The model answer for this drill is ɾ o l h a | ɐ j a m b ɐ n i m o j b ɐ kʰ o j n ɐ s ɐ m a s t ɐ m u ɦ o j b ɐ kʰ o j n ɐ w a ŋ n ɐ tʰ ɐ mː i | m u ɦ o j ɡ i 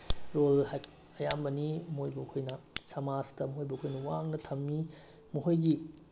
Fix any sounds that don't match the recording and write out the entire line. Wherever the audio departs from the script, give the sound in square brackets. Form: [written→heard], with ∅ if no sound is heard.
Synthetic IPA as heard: ɾ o l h a | ɐ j a m b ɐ n i m o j b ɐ kʰ o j n ɐ s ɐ m a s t ɐ m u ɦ o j b ɐ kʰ o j n ɐ w a ŋ n ɐ tʰ ɐ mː i | m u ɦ o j ɡ i